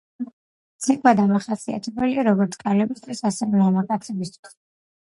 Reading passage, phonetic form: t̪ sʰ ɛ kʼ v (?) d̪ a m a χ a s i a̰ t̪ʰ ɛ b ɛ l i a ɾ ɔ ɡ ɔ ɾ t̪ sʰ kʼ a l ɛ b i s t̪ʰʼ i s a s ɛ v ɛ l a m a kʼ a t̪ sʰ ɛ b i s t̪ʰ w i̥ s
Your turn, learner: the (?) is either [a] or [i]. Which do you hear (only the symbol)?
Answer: a